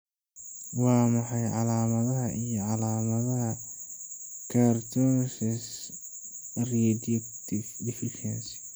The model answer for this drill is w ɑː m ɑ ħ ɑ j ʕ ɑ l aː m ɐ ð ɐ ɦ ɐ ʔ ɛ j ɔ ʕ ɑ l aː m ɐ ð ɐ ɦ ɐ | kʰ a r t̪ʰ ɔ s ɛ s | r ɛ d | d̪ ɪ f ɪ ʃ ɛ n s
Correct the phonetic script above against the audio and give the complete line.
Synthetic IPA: w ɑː m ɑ ħ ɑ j ʕ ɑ l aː m ɐ ð ɐ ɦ ɐ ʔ i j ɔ ʕ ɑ l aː m ɐ ð ɐ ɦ ɐ | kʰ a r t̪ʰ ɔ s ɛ s | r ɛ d | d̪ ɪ f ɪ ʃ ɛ n s